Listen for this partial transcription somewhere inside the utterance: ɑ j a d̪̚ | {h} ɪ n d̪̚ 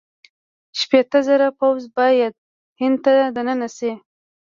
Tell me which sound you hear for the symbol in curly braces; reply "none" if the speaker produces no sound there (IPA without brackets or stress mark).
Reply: h